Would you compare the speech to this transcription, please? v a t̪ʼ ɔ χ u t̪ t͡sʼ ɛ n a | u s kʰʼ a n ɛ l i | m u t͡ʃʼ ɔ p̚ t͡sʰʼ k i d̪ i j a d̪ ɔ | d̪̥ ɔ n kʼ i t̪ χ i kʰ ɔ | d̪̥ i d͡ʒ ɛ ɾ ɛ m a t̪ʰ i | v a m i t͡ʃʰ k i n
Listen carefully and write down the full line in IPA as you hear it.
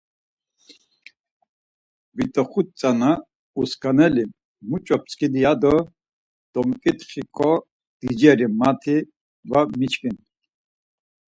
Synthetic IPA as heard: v i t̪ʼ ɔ χ u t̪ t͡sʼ a n a | u s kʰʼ a n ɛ l i | m u t͡ʃʼ ɔ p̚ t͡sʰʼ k i d̪ i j a d̪ ɔ | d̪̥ ɔ m kʼ i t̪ χ i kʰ ɔ | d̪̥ i d͡ʒ ɛ ɾ i m a t̪ʰ i | v a m i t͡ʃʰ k i n

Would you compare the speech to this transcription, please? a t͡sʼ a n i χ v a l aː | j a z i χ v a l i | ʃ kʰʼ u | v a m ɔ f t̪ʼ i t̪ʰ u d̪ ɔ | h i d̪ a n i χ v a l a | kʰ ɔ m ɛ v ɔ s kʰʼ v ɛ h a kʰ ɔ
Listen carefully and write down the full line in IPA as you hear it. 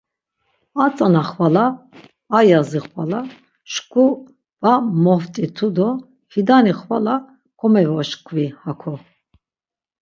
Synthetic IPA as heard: a t͡sʼ a n a χ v a l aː | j a z i χ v a l a | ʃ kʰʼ u | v a m ɔ f t̪ʼ i t̪ʰ u d̪ ɔ | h i d̪ a n i χ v a l a | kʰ ɔ m ɛ v ɔ ʃ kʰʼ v i h a kʰ ɔ

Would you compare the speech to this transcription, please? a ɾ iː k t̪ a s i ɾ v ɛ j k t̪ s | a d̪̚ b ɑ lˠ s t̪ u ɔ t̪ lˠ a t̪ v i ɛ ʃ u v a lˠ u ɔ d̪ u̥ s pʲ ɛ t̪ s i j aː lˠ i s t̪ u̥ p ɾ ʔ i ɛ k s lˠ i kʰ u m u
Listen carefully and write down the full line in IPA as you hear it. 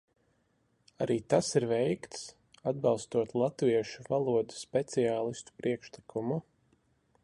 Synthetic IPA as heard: a ɾ iː t̪ a s i ɾ v ɛ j k t̪ s | a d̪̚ b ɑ lˠ s t̪ u ɔ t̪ lˠ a t̪ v i ɛ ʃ u v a lˠ u ɔ d̪ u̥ s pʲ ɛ t̪ s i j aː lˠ i s t̪ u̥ p ɾ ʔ i ɛ k ʃ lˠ i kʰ u m u

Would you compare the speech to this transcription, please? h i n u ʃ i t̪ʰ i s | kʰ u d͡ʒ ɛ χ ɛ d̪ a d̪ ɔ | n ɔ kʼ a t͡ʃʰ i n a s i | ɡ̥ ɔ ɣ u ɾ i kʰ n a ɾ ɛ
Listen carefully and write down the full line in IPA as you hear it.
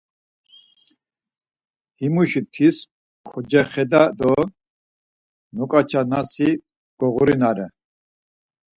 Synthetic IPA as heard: h i m u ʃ i t̪ʰ i s | kʰ ɔ d͡ʒ ɛ χ ɛ d̪ a d̪ ɔ | n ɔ kʼ a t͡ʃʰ a n a s i | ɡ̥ ɔ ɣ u ɾ i n a ɾ ɛ

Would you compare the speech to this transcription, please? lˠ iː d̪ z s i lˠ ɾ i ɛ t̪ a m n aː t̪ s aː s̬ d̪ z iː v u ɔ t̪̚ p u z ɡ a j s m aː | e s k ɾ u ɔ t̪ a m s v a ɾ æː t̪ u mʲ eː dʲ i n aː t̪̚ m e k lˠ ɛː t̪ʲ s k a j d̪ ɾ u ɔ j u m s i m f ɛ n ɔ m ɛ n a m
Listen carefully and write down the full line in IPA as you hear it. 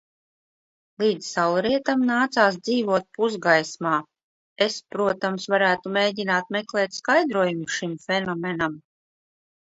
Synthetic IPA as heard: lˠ iː d̪ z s a lˠ ɾ i ɛ t̪ a m n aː t̪ s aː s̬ d̪ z iː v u ɔ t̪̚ p u z ɡ a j s m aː | e s p ɾ u ɔ t̪ a m s v a ɾ æː t̪ u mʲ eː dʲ i n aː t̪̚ m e k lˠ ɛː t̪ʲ s k a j d̪ ɾ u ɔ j u m ʃ i m f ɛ n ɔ m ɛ n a m

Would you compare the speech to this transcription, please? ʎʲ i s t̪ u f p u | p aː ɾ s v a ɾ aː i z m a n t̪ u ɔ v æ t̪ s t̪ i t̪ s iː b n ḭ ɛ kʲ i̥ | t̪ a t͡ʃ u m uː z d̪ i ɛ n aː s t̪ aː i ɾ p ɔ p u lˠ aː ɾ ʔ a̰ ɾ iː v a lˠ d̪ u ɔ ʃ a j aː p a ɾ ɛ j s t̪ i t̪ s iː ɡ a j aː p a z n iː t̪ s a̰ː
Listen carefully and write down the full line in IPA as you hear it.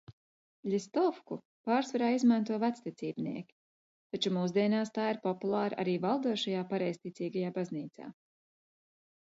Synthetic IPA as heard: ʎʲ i s t̪ ɔ f k u | p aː ɾ s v a ɾ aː i z m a n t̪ u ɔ v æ t̪ s t̪ i t̪ s iː b n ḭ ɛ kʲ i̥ | t̪ a t͡ʃ u m uː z d̪ i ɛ n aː s t̪ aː i ɾ p ɔ p u lˠ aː ɾ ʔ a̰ ɾ iː v a lˠ d̪ u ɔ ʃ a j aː p a ɾ ɛ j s t̪ i t̪ s iː ɡ a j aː b a z n iː t̪ s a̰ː

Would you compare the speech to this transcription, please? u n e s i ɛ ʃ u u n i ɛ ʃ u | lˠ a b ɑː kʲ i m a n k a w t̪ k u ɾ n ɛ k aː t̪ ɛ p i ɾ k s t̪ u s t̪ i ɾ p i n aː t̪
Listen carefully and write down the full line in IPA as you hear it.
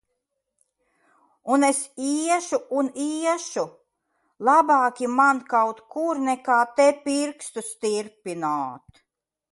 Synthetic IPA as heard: u n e s i ɛ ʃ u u n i ɛ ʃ u | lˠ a b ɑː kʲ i m a n k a w t̪ k u ɾ n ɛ k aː t̪ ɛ p i ɾ k s t̪ u s t̪ i ɾ p i n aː t̪

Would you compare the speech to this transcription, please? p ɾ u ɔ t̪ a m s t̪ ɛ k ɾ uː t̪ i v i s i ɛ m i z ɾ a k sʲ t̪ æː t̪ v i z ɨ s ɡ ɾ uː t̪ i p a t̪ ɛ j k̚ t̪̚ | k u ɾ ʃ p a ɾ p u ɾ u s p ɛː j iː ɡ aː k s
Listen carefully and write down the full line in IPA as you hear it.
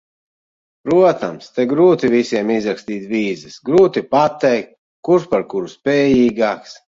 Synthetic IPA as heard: p ɾ u ɔ t̪ a m s t̪ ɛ ɡ ɾ uː t̪ i v i s i ɛ m i z ɾ a k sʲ t̪ iː t̪ v iː z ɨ s ɡ ɾ uː t̪ i p a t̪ ɛ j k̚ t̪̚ | k u ɾ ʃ p a ɾ k u ɾ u s p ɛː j iː ɡ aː k s

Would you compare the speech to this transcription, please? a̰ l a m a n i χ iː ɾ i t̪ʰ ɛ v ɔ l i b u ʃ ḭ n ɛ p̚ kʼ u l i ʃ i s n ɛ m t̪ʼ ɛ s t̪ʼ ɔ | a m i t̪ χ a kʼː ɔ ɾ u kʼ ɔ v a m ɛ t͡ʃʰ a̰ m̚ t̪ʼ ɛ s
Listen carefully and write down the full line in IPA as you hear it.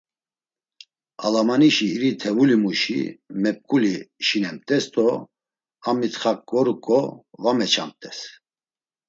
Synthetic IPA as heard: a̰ l a m a n i ʃ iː ɾ i t̪ʰ ɛ v u l i m u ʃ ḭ m ɛ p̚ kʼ u l i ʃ i n ɛ m t̪ʼ ɛ s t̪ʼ ɔ | a m i t̪ χ a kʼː ɔ ɾ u kʼ ɔ v a m ɛ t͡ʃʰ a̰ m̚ t̪ʼ ɛ s

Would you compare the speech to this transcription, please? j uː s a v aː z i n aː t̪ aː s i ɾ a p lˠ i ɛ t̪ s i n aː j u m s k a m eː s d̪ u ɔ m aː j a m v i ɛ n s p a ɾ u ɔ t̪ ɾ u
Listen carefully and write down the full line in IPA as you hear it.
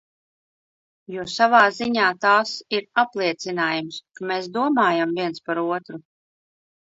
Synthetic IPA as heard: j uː s a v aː z i ɲ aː t̪ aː s i ɾ a p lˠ i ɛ t̪ s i n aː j u m s k a m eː s d̪ u ɔ m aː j a m v i ɛ n s p a ɾ u ɔ t̪ ɾ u

